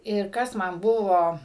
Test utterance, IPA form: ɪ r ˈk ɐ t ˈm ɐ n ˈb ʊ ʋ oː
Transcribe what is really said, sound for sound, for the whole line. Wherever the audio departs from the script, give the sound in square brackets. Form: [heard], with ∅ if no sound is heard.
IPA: ɪ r ˈk ɐ [s] ˈm ɐ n ˈb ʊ ʋ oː